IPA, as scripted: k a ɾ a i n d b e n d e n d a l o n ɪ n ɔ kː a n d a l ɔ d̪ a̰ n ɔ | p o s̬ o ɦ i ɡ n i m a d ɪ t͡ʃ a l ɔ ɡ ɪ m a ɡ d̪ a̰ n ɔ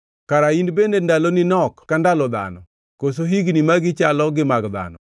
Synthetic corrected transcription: k a ɾ a i n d b e n d e n d a l o n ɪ n ɔ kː a n d a l ɔ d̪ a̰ n ɔ | k o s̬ o ɦ i ɡ n i m a ɡ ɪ t͡ʃ a l ɔ ɡ ɪ m a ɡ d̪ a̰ n ɔ